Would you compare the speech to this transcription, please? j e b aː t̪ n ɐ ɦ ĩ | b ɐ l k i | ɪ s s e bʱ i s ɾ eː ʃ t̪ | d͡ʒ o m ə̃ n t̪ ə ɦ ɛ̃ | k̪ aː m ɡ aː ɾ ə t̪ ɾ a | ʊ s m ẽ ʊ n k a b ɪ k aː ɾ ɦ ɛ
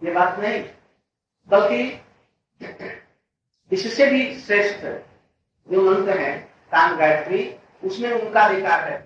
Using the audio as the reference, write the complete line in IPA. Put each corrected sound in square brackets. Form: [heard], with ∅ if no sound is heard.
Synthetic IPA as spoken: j e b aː t̪ n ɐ ɦ ĩ | b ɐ l k i | ɪ s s e bʱ i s ɾ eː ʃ t̪ | d͡ʒ o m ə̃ n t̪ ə ɦ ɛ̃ | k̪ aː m ɡ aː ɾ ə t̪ ɾ [i] | ʊ s m ẽ ʊ n k a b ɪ k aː ɾ ɦ ɛ